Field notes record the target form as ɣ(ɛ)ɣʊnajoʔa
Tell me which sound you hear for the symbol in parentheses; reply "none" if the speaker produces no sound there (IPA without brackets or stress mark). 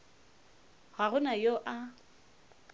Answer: a